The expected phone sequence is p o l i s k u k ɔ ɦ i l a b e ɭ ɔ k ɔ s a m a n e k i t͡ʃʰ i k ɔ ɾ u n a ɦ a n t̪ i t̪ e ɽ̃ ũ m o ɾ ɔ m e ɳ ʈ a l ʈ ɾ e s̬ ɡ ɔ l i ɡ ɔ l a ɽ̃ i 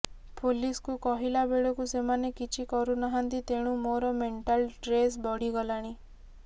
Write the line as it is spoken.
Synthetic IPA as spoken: p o l i s k u k ɔ ɦ i l a b e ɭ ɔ k u s e m a n e k i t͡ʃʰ i k ɔ ɾ u n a ɦ a n t̪ i t̪ e ɽ̃ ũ m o ɾ ɔ m e ɳ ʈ a l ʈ ɾ e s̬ b ɔ ɽ i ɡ ɔ l a ɽ̃ i